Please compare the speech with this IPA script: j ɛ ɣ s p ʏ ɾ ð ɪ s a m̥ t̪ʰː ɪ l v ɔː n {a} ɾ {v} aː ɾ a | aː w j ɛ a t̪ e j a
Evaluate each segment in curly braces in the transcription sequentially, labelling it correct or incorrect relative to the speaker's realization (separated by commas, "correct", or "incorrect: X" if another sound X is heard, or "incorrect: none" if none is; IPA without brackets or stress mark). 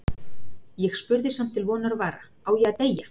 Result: correct, correct